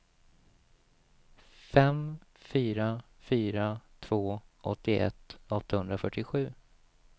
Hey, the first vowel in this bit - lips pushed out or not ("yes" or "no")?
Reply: no